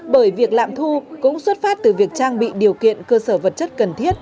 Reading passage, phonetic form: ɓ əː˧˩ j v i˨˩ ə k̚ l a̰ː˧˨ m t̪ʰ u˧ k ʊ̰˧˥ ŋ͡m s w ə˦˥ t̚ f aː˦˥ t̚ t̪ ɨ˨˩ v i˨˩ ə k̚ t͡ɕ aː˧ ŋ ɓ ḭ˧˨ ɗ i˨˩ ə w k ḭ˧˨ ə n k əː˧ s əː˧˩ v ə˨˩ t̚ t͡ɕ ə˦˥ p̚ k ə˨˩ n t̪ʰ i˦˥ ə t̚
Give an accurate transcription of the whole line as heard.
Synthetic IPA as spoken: ɓ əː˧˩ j v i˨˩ ə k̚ l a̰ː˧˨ m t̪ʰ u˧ k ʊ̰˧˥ ŋ͡m s w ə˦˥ t̚ f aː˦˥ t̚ t̪ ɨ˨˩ v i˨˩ ə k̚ t͡ɕ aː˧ ŋ ɓ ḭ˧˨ ɗ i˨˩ ə w k ḭ˧˨ ə n k əː˧ s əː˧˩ v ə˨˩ t̚ t͡ɕ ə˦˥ t̚ k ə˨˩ n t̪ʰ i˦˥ ə t̚